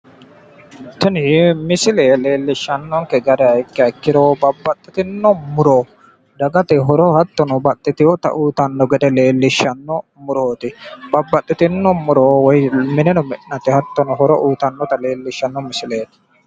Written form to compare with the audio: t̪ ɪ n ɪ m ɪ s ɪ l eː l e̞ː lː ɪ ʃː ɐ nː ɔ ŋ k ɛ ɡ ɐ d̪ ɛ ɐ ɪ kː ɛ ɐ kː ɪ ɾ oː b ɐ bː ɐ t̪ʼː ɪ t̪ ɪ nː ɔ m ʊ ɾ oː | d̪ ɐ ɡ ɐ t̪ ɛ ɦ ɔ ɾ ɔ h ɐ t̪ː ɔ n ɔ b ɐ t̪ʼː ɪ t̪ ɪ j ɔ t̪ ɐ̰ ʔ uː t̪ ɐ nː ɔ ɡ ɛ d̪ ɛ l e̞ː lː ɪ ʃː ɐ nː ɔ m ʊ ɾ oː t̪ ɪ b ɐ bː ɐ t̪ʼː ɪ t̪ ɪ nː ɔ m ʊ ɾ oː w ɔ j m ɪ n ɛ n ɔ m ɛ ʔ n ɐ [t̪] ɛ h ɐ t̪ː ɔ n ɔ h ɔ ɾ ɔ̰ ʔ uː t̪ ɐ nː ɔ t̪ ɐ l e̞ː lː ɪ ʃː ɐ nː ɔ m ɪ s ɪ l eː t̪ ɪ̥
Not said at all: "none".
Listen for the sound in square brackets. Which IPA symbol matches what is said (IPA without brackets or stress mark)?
t̪